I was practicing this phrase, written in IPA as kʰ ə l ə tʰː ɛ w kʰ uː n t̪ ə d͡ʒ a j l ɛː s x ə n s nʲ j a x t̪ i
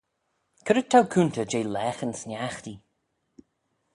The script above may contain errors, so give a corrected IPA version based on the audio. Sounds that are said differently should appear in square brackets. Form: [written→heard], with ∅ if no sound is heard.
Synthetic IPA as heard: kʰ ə [l→ɾ] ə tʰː [ɛ→a] w kʰ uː n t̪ ə d͡ʒ [a→e] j l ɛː [s→∅] x ə n s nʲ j a x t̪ i